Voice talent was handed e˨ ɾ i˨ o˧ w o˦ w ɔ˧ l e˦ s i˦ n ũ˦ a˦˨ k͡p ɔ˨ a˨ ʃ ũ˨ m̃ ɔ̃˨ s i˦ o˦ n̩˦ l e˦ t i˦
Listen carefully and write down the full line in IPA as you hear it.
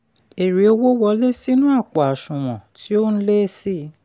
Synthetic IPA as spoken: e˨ ɾ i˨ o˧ w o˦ w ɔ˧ l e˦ s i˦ n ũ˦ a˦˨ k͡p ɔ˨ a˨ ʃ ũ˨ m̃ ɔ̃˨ t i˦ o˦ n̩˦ l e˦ s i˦